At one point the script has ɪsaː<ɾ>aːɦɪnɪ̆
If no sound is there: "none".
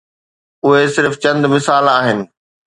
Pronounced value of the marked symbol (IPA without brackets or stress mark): l